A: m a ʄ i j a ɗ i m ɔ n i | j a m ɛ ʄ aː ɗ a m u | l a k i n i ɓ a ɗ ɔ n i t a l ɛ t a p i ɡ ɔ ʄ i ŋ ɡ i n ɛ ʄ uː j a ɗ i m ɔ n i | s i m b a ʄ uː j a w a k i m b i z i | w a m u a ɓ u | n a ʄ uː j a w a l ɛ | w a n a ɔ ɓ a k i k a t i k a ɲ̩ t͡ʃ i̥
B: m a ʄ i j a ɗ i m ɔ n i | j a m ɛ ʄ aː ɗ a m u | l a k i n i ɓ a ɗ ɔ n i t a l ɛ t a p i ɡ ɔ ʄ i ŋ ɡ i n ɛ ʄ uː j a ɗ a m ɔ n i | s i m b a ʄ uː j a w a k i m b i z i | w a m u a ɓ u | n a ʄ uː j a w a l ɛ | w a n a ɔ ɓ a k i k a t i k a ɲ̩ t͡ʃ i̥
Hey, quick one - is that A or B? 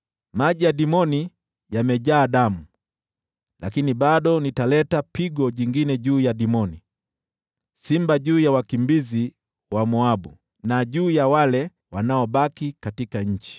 A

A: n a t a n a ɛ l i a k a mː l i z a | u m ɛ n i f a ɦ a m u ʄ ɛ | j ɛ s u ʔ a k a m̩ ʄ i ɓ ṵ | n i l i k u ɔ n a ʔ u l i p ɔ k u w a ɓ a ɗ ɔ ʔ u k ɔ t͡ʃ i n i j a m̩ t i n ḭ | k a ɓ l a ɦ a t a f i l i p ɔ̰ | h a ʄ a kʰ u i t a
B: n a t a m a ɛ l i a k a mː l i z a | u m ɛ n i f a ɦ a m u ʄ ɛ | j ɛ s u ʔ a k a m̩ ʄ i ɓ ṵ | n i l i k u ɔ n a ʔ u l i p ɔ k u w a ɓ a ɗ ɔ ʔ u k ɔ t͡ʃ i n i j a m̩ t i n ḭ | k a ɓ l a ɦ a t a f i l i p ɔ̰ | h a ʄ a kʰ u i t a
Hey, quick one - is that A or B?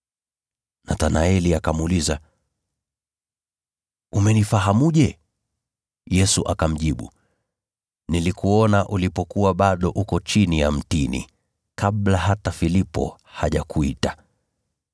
A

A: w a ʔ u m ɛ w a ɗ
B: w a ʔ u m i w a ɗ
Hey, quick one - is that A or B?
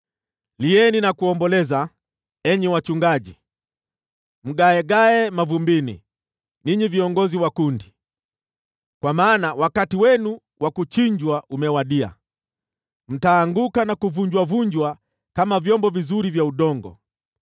A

